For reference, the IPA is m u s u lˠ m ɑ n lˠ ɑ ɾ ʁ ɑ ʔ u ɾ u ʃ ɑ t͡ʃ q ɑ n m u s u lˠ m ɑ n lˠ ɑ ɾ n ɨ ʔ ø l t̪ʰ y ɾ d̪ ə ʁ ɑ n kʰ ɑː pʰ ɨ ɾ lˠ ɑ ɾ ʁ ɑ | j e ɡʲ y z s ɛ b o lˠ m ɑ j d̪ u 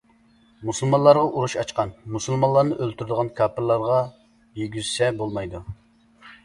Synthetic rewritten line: m u s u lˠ m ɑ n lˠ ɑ ɾ ʁ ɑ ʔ u ɾ u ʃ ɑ t͡ʃ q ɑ n m u s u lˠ m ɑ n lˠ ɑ ɾ n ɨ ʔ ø l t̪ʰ y ɾ d̪ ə ʁ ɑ n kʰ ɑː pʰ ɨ ɾ lˠ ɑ ɾ ʁ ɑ | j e ɡʲ y z s ɛ b o lˠ m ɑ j d̪ u